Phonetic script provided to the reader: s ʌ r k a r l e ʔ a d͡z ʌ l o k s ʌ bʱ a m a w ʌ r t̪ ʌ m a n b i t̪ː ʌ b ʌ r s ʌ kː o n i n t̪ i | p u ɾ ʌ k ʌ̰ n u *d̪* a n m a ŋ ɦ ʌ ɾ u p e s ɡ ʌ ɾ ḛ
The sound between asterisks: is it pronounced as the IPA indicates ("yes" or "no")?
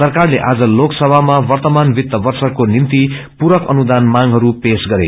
yes